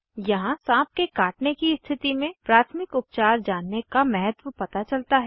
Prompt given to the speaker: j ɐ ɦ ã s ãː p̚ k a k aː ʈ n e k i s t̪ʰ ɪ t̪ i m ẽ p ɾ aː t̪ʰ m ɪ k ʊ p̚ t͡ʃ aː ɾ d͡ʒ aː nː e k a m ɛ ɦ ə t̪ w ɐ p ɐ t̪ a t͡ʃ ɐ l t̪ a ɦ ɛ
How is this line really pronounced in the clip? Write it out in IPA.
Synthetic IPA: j ɐ ɦ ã s ãː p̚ k e k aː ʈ n e k i s t̪ʰ ɪ t̪ i m ẽ p ɾ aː t̪ʰ m ɪ k ʊ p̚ t͡ʃ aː ɾ d͡ʒ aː nː e k a m ɛ ɦ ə t̪ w ə p ɐ t̪ a t͡ʃ ɐ l t̪ a ɦ ɛ